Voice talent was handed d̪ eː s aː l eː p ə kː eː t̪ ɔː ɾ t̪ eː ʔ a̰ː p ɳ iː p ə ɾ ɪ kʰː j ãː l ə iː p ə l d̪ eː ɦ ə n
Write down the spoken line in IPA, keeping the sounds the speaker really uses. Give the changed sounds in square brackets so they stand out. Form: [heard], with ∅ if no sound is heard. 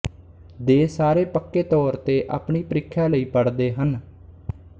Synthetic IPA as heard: d̪ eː s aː [ɾ] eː p ə kː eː t̪ ɔː ɾ t̪ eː ʔ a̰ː p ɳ iː p ə ɾ ɪ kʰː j [aː] l ə iː p ə [ɽ] d̪ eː ɦ ə n